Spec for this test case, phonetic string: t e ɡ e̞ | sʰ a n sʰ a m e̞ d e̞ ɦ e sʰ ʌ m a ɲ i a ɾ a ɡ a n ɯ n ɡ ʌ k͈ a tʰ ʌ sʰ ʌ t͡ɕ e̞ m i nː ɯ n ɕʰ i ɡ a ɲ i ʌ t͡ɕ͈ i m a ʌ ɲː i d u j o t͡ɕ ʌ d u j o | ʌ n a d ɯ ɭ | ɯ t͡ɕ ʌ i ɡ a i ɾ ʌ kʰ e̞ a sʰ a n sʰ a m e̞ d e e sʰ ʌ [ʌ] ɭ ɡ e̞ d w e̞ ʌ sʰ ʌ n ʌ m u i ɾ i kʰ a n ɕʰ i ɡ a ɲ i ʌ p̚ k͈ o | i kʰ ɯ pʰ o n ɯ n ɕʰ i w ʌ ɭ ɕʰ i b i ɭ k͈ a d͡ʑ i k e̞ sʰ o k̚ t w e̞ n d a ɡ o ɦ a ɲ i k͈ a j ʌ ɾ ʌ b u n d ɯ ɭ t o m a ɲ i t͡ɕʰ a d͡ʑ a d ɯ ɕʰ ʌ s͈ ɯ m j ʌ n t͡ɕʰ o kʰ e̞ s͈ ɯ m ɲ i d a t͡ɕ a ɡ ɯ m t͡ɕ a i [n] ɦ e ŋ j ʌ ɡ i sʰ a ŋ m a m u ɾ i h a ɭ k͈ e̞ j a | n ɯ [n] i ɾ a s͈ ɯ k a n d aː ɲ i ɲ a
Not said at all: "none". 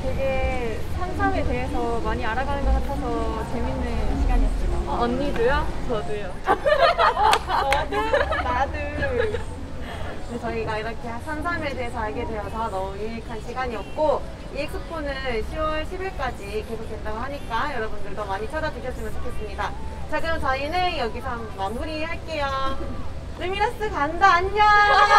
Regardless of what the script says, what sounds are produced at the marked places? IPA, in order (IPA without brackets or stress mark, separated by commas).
a, n, m